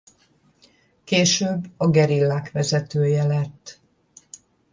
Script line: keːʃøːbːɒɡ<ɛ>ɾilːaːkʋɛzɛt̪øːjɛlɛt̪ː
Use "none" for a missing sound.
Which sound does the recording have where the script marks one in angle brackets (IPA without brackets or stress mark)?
ɛ